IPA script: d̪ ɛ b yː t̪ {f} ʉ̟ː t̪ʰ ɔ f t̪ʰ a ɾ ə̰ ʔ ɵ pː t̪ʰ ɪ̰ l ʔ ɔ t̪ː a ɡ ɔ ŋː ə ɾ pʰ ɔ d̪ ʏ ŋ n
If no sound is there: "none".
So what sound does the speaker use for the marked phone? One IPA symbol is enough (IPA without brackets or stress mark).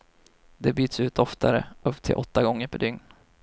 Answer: s